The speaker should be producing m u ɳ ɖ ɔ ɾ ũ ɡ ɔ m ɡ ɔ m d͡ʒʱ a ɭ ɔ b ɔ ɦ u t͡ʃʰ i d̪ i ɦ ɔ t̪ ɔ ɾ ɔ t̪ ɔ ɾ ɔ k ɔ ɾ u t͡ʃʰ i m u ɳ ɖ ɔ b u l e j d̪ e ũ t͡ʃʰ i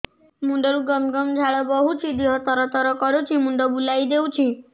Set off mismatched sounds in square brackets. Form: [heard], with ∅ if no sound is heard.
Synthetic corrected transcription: m u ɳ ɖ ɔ ɾ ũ ɡ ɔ m ɡ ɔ m d͡ʒʱ a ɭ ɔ b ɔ ɦ u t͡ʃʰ i d̪ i ɦ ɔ t̪ ɔ ɾ ɔ t̪ ɔ ɾ ɔ k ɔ ɾ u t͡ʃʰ i m u ɳ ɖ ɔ b u l [a] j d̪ e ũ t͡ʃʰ i